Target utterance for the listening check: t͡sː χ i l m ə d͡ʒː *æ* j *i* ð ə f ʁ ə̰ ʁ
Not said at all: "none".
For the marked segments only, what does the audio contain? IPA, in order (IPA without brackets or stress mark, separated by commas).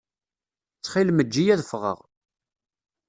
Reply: i, æ